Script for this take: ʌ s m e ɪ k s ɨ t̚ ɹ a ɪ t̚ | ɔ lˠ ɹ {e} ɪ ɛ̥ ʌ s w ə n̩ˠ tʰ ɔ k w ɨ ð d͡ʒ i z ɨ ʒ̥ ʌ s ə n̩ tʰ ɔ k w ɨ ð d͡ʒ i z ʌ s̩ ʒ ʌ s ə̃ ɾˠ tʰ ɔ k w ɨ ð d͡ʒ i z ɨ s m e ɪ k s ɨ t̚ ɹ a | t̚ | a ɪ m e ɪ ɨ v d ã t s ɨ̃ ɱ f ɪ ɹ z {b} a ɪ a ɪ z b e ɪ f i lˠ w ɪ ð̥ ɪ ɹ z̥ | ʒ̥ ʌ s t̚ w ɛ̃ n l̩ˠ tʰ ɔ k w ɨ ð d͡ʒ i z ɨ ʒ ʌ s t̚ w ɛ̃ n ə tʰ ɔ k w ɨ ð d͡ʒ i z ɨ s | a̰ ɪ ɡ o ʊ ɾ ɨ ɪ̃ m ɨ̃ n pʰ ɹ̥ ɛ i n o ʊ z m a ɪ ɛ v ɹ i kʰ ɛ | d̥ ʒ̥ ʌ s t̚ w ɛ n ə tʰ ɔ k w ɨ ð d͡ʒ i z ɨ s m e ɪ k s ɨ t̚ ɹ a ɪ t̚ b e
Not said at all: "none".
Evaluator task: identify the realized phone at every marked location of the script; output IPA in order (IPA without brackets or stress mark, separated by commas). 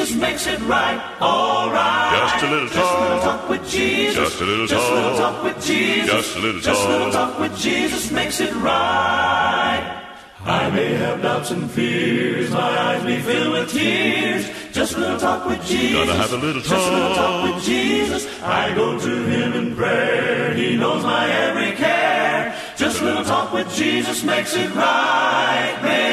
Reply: a, m